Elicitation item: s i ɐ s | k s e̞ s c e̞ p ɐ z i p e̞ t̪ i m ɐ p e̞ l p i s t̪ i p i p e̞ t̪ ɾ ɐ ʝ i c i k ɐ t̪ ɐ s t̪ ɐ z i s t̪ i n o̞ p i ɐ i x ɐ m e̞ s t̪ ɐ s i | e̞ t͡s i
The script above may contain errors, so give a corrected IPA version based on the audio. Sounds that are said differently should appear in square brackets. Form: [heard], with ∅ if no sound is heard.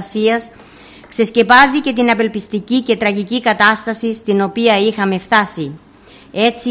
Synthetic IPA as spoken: s i ɐ s | k s e̞ s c e̞ p ɐ z i [c] e̞ t̪ i [n] ɐ p e̞ l p i s t̪ i [c] i [c] e̞ t̪ ɾ ɐ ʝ i c i k ɐ t̪ ɐ s t̪ ɐ [s] i s t̪ i n o̞ p i ɐ i x ɐ m e̞ [f] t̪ ɐ s i | e̞ t͡s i